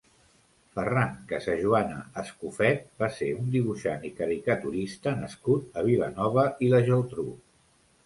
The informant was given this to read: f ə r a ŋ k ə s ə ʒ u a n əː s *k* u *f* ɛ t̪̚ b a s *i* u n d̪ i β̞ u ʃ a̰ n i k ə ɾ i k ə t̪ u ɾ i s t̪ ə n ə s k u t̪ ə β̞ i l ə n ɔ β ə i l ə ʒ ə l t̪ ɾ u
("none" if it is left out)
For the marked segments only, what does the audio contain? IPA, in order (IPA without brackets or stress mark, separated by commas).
k, f, e